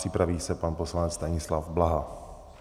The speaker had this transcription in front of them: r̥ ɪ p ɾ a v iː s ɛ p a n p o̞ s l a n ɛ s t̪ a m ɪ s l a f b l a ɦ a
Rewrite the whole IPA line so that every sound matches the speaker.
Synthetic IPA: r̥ ɪ p ɾ a v iː s ɛ p a n p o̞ s l a n ɛ t͡s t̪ a ɲ ɪ s l a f b l a ɦ a